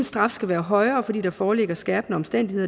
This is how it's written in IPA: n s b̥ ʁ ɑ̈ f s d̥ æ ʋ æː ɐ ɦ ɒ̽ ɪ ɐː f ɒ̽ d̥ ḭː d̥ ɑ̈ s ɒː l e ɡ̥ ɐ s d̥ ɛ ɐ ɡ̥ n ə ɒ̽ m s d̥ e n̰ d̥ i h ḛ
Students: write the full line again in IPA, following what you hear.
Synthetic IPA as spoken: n s d̥ ʁ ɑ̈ f s ɡ̥ æ ʋ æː ɐ ɦ ɒ̽ ɪ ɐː f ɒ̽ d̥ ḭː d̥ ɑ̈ f ɒː l e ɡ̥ ɐ s ɡ̥ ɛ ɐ b̥ n ə ɒ̽ m s d̥ e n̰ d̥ i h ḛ